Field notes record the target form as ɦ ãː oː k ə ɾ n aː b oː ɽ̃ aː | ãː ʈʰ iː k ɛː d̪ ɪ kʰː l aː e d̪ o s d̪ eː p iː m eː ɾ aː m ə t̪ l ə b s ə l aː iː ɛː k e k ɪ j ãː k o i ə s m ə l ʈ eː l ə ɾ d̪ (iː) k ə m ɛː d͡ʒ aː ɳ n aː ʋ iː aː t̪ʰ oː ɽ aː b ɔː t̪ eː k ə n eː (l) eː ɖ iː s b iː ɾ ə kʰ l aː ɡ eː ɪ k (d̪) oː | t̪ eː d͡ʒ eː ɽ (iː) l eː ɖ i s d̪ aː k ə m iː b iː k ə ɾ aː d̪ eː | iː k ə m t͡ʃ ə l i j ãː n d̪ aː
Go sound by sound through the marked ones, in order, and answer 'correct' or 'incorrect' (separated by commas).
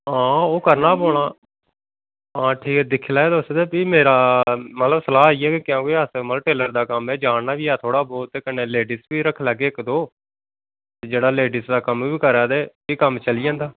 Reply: incorrect, correct, correct, incorrect